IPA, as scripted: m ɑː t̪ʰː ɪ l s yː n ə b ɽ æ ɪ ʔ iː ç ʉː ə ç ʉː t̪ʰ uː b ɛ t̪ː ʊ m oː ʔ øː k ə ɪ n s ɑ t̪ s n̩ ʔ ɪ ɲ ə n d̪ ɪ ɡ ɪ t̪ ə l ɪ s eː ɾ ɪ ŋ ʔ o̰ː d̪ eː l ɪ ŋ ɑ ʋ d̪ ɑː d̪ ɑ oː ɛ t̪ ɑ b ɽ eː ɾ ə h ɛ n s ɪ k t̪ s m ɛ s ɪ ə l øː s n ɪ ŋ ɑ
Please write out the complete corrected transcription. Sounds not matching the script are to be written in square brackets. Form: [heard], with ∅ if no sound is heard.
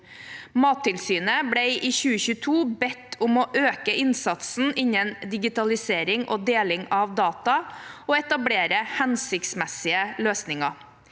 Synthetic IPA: m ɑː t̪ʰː ɪ l s yː n ə b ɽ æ ɪ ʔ iː ç ʉː ə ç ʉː t̪ʰ uː b ɛ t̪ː ʊ m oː ʔ øː k ə ɪ n s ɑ t̪ s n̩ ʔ ɪ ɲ ə n d̪ ɪ ɡ ɪ t̪ [ɑ] l ɪ s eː ɾ ɪ ŋ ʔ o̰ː d̪ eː l ɪ ŋ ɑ ʋ d̪ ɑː [t̪] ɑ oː ɛ t̪ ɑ b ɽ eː ɾ ə h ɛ n s ɪ k t̪ s m ɛ s ɪ ə l øː s n ɪ ŋ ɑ